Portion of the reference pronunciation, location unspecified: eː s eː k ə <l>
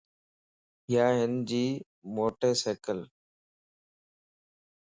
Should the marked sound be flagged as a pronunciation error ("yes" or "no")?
no